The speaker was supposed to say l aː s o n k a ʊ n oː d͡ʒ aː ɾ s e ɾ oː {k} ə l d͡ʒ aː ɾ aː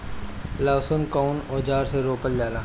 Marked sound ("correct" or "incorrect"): incorrect